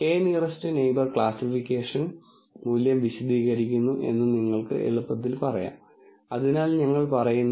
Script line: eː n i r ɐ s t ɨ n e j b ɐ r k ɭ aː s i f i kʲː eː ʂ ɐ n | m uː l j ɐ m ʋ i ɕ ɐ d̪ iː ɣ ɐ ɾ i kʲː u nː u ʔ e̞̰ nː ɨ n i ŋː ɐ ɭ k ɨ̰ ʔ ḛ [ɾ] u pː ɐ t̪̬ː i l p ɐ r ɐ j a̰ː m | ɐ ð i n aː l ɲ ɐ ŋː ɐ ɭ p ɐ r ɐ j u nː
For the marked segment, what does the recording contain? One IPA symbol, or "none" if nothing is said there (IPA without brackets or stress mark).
ɭ